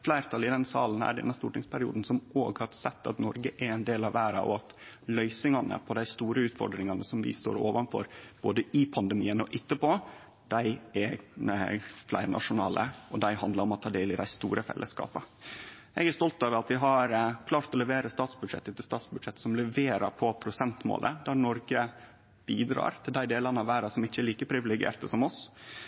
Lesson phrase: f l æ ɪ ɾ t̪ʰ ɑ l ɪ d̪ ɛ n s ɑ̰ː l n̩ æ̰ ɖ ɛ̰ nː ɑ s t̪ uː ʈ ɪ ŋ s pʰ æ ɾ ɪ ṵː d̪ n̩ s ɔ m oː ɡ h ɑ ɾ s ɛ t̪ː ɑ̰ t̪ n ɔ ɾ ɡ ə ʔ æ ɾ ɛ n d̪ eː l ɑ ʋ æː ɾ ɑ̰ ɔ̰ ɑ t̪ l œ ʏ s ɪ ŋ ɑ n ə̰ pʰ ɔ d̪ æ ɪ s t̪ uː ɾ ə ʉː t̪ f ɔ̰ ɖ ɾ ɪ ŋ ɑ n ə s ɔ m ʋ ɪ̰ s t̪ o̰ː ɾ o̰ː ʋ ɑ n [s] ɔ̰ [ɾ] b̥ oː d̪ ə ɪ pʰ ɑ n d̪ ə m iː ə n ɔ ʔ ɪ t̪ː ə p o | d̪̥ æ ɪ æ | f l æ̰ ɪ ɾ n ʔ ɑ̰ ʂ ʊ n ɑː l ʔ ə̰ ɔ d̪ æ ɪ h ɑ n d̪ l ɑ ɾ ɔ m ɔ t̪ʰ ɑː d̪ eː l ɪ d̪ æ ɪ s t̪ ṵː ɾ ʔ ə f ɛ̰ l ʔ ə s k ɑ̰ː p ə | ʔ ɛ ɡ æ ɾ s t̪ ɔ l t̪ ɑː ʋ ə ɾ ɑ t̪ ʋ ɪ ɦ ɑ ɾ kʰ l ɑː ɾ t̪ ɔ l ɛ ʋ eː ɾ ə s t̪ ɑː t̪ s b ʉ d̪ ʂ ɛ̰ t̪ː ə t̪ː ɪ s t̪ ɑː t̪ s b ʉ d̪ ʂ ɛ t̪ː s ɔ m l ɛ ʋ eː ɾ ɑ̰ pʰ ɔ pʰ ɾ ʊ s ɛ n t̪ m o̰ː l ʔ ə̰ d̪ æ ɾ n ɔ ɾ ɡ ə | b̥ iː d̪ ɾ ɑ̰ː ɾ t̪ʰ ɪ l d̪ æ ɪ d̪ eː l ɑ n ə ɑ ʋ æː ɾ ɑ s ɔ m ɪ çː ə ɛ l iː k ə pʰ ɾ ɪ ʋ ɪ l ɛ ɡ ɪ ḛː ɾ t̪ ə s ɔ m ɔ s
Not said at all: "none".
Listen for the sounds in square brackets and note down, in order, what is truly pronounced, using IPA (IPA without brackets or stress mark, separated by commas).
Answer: f, ɾ